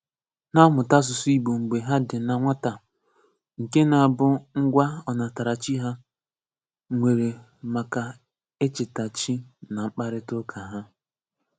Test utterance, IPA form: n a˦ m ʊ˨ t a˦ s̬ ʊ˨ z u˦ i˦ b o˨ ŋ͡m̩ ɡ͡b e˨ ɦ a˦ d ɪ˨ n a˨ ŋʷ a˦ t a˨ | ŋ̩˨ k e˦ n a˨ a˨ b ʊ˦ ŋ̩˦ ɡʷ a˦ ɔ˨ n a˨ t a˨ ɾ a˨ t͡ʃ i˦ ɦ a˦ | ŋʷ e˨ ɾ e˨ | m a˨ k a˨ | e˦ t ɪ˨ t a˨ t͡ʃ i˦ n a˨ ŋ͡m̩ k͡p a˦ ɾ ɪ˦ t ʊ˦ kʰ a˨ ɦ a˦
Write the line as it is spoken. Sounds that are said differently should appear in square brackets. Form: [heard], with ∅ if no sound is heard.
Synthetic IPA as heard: n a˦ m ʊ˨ t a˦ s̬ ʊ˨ [s] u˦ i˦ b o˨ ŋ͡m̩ ɡ͡b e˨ ɦ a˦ d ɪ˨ n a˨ ŋʷ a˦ t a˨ | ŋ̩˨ k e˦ n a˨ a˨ b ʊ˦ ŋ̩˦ ɡʷ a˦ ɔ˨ n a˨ t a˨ ɾ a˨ t͡ʃ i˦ ɦ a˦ | ŋʷ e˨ ɾ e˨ | m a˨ k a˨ | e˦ [t͡ʃ] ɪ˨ t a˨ t͡ʃ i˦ n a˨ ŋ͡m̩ k͡p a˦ ɾ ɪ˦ t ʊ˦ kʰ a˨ ɦ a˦

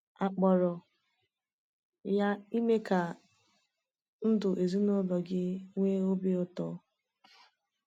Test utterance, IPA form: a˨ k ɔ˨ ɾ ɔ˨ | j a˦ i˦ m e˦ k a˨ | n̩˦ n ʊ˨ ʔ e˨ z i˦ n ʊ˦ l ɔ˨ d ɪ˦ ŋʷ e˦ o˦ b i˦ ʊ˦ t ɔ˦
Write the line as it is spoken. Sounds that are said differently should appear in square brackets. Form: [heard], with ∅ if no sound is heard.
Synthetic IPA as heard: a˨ [k͡p] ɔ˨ ɾ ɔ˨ | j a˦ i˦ m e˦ k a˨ | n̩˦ [d] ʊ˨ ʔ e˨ z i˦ n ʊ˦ l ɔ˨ [ɡ] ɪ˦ ŋʷ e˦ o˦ b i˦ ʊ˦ t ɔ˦

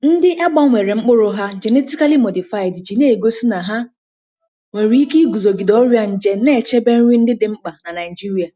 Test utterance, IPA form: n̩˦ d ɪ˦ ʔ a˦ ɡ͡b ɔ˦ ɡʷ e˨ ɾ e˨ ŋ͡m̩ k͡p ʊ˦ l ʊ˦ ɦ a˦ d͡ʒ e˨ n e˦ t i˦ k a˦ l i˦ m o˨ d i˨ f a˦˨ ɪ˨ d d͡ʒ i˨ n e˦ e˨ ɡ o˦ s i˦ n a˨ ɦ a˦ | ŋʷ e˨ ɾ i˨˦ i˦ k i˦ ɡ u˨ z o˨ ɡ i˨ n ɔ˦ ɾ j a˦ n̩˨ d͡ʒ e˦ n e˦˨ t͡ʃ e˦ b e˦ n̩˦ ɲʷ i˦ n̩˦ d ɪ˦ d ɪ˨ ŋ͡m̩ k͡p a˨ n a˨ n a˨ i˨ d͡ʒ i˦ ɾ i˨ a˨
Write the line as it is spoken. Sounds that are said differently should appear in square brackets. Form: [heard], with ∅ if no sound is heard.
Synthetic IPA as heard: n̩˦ d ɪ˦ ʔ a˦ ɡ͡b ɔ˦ [ŋʷ] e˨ ɾ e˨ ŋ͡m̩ k͡p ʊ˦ [ɾ] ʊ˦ ɦ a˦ d͡ʒ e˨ n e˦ t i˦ k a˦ l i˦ m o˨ d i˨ f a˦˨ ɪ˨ d d͡ʒ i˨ n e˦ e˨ ɡ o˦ s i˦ n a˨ ɦ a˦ | ŋʷ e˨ ɾ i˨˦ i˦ k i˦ ɡ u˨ z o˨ ɡ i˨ [d] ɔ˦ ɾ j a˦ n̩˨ d͡ʒ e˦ n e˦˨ t͡ʃ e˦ b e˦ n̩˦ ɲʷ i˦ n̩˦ d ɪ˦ d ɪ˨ ŋ͡m̩ k͡p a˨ n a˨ n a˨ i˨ d͡ʒ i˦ ɾ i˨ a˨

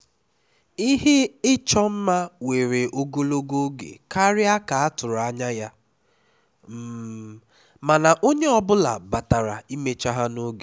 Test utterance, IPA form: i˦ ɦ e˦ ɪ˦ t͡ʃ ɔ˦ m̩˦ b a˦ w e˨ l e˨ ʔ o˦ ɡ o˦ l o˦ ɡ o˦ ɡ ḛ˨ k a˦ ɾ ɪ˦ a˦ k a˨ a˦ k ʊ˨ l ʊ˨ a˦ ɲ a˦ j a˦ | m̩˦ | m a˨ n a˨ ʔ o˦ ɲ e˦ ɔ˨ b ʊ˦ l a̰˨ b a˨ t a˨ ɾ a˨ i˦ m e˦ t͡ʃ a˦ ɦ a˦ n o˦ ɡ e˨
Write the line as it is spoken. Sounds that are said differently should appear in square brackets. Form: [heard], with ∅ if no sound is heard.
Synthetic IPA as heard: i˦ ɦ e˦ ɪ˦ t͡ʃ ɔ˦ m̩˦ [m] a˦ w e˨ [ɾ] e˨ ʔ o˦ ɡ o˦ l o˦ ɡ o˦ ɡ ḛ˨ k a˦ ɾ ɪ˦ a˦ k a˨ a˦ [t] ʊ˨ [ɾ] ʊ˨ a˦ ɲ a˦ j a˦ | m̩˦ | m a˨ n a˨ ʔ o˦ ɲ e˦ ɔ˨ b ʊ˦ l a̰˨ b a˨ t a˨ ɾ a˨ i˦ m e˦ t͡ʃ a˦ ɦ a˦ n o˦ ɡ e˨

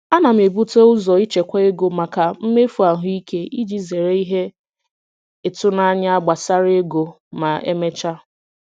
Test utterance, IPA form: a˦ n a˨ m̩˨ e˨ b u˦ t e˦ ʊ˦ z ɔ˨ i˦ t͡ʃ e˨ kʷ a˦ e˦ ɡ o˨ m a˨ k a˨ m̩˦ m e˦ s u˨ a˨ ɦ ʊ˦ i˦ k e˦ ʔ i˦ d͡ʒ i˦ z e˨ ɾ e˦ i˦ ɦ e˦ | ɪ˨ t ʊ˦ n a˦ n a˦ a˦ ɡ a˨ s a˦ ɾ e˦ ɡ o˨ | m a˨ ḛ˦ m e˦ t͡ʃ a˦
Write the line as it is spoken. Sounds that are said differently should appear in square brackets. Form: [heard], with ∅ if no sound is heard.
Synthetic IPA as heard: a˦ n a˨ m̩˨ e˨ b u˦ t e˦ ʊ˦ z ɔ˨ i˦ t͡ʃ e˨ kʷ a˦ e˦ ɡ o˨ m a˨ k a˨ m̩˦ m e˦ [f] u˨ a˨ ɦ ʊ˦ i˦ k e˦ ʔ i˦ d͡ʒ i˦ z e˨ ɾ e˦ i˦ ɦ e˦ | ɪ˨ t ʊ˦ n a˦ [ɲ] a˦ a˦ [ɡ͡b] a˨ s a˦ ɾ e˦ ɡ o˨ | m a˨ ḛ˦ m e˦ t͡ʃ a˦

